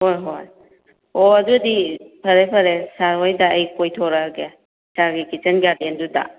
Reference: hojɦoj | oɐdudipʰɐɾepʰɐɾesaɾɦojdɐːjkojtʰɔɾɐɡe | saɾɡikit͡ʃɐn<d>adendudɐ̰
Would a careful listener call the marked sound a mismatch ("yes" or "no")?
yes